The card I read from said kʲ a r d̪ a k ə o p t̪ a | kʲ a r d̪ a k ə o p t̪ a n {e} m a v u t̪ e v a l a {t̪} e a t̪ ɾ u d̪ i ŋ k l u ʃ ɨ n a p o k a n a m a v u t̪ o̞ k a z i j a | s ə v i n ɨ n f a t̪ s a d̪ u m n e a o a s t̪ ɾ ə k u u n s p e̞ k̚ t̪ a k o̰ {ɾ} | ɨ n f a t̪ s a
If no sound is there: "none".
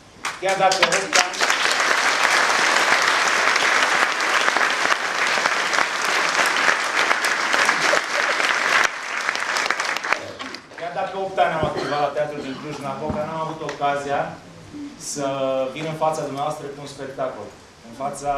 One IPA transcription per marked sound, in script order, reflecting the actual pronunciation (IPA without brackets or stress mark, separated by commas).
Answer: a, t̪, l